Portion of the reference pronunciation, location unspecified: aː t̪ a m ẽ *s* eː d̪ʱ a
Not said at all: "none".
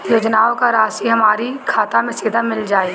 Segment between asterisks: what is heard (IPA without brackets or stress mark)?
s